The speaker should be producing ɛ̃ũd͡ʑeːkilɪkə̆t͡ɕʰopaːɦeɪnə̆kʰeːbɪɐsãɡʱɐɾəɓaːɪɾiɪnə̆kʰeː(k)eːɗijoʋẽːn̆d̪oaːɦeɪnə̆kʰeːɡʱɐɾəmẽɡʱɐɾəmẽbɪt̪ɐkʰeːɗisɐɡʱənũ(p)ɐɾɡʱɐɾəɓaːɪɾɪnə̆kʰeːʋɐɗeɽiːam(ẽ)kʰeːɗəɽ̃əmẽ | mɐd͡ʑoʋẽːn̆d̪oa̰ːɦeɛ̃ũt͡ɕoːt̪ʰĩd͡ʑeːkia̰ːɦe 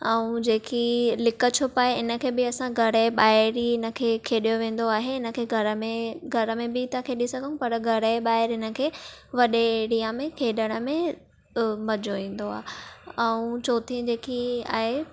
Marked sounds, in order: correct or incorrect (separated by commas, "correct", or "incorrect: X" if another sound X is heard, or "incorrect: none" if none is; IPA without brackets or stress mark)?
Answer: incorrect: kʰ, correct, correct